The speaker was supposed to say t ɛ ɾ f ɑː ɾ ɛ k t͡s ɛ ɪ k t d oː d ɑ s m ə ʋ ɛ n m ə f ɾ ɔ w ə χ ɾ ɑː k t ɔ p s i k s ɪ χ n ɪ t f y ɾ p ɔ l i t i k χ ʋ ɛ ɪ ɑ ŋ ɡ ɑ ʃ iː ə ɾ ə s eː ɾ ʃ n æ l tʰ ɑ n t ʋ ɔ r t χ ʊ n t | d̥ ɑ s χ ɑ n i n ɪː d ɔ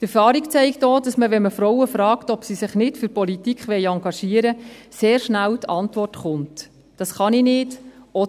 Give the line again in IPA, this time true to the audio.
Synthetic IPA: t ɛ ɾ f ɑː ɾ i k t͡s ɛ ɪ k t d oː d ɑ s m ə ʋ ɛ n m ə f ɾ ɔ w ə f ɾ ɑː k t ɔ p s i s ɪ χ n ɪ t f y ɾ p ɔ l i t i k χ ʋ ɛ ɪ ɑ ŋ ɡ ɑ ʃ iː ə ɾ ə s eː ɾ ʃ n æ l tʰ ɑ n t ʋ ɔ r t χ ʊ n t | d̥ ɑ s χ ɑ n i n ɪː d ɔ

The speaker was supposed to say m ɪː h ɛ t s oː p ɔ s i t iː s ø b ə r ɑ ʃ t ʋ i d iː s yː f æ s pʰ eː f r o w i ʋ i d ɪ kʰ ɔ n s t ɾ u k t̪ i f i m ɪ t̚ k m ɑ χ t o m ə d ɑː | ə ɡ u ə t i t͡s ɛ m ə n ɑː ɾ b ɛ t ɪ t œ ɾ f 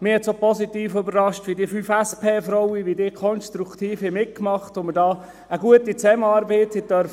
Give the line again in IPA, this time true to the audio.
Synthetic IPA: m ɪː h ɛ t s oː p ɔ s i t iː f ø b ə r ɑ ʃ t ʋ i d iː f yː f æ s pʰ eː f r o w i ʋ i d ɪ kʰ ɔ n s t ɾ u k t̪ iː f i m ɪ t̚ k m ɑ χ t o m ə d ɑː | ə ɡ u ə t i t͡s ɛ m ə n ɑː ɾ b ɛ t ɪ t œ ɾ f

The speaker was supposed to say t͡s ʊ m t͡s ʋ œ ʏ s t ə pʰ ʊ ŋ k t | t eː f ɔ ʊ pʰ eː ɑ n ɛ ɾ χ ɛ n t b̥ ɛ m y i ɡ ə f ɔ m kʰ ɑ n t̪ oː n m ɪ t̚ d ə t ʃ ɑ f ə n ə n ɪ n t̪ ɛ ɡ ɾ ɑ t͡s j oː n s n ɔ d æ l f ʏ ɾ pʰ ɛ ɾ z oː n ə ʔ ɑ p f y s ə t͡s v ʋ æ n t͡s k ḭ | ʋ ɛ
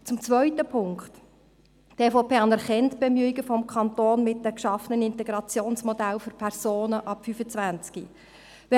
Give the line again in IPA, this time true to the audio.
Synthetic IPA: t͡s ʊ m t͡s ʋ œ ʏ t ə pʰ ʊ ŋ k t | t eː f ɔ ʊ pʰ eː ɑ n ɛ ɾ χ ɛ n t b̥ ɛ m y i ɡ ə f ɔ m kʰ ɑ n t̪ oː n m ɪ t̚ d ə k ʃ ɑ f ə n ə n ɪ n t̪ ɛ ɡ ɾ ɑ t͡s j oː n s m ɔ d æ l f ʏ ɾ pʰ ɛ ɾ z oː n ə ʔ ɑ p f y f ə t͡s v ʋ æ n t͡s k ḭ | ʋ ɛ

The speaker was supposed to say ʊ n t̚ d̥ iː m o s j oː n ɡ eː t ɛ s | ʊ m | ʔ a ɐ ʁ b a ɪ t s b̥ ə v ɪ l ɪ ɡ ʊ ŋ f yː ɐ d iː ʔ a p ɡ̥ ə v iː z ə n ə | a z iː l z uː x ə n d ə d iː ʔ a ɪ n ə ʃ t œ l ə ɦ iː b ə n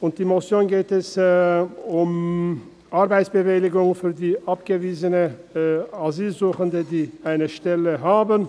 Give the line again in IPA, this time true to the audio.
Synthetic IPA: ʊ n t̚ d̥ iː m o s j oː n ɡ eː t ɛ s | ʊ m | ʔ a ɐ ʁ b a ɪ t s b̥ ə v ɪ l ɪ ɡ ʊ ŋ f yː ɐ d iː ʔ a p ɡ̥ ə v iː z ə n ə | a z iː l z uː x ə n d ə d iː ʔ a ɪ n ə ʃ t ɛ l ə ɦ aː b ə n

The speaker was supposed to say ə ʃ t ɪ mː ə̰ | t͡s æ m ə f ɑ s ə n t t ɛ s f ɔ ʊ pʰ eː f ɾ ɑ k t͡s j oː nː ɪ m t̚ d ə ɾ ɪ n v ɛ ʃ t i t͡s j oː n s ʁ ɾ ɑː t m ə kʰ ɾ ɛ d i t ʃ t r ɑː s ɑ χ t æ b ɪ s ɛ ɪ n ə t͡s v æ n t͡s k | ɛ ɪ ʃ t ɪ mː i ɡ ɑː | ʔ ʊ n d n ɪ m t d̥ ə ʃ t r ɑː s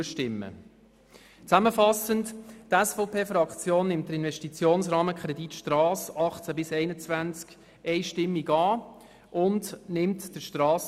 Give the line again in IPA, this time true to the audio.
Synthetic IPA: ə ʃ t ɪ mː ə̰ | t͡s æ m ə f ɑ s ə n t t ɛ s f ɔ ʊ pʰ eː f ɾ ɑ k t͡s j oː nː ɪ m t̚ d ə ɾ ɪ n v ɛ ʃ t i t͡s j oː n s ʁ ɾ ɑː m ə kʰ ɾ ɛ d i t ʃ t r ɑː s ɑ χ t͡s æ b ɪ s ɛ ɪ n ə t͡s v æ n t͡s k | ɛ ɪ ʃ t ɪ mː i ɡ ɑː | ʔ ʊ n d n ɪ m t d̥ ə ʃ t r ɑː s

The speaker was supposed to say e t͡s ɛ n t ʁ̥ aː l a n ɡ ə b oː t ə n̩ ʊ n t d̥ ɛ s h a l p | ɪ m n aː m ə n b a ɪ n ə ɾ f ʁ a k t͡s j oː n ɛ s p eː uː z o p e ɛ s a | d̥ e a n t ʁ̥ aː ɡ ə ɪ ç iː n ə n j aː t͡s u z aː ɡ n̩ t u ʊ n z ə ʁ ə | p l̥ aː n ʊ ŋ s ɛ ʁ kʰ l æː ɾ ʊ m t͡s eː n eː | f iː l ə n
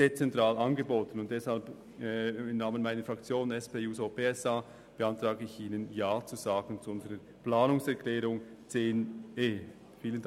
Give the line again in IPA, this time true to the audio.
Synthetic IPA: e t͡s ɛ n t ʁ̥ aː l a n ɡ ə b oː t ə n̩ ʊ n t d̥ ɛ s h a l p | ɪ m n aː m ə n m a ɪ n ə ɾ f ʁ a k t͡s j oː n ɛ s p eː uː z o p e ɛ s a | b̥ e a n t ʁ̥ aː ɡ ə ɪ ç iː n ə n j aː t͡s u z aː ɡ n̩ t͡s u ʊ n z ə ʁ ə | p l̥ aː n ʊ ŋ s ɛ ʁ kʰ l ɛː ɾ ʊ ŋ t͡s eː n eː | f iː l ə n

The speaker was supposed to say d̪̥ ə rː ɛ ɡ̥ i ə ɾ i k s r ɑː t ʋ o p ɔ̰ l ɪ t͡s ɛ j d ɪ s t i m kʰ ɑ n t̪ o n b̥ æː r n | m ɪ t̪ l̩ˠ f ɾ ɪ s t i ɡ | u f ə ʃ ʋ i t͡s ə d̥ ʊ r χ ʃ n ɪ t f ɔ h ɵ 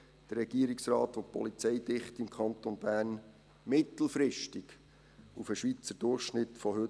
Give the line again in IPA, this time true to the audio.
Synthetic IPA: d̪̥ ə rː ɛ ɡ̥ i ə ɾ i k s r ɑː t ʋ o p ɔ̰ l i t͡s ɛ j d ɪ χ t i m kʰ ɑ n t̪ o n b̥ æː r n | m ɪ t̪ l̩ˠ f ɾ ɪ ʃ t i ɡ | u f ə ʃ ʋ i t͡s ə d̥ ʊ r χ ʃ n ɪ t f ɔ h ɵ

